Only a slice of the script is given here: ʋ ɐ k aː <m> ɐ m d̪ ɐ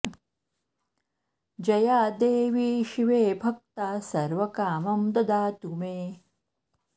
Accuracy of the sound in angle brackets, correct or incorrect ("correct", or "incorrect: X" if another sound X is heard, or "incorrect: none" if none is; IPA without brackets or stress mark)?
correct